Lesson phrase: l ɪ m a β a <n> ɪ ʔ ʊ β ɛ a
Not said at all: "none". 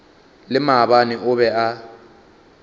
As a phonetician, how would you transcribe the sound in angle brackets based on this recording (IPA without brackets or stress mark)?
n